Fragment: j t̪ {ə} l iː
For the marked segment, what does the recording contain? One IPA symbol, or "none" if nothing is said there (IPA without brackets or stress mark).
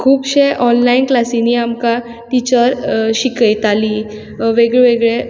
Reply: a